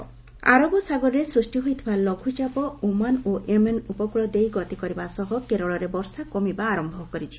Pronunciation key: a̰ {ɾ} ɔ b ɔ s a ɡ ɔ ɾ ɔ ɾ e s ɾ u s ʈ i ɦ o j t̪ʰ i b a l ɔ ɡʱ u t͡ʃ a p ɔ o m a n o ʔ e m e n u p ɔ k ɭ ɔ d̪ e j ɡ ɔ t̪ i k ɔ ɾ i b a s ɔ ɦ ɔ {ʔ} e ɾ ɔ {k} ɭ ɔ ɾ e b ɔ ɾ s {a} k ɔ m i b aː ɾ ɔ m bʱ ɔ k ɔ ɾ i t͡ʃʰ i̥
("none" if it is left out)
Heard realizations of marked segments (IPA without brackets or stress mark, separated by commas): ɾ, k, none, a